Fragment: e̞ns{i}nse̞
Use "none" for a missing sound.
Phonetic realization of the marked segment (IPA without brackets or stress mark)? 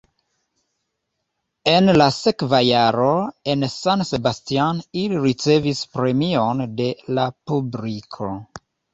a